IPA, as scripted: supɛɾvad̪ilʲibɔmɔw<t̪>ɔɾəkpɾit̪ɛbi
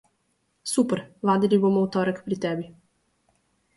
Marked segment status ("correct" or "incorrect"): correct